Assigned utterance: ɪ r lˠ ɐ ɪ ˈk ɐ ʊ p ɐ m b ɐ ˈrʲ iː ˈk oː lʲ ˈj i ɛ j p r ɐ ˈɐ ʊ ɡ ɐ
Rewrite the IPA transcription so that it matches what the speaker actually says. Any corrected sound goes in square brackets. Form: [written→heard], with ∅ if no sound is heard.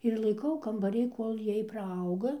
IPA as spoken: ɪ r lˠ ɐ ɪ ˈk ɐ ʊ [p→k] ɐ m b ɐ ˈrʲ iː ˈk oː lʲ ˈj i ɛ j p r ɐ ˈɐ ʊ ɡ ɐ